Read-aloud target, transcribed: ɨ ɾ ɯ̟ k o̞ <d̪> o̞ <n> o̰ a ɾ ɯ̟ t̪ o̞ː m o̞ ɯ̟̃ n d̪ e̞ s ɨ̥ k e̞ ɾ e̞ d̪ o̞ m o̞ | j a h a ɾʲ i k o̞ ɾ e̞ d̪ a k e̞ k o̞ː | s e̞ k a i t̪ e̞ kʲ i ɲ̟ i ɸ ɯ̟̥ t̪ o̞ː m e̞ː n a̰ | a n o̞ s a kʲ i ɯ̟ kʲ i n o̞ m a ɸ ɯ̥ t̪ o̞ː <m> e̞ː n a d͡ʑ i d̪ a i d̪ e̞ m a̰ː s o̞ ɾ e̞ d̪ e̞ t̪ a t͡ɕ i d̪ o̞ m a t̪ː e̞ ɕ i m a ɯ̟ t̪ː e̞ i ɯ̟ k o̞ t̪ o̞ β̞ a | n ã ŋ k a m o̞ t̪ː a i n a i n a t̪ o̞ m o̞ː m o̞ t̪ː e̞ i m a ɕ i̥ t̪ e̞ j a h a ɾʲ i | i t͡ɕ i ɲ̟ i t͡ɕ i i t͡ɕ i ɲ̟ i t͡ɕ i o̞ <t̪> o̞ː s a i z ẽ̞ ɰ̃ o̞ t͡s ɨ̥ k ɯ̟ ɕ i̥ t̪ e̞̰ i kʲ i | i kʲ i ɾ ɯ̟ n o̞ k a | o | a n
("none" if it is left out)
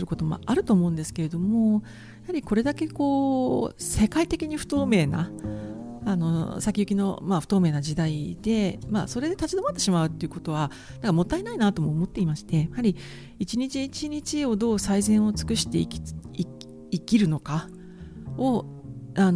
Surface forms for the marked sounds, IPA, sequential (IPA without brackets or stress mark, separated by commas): t̪, m, m, d̪